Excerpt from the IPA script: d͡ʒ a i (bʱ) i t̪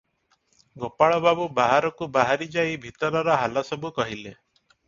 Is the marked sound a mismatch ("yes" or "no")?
no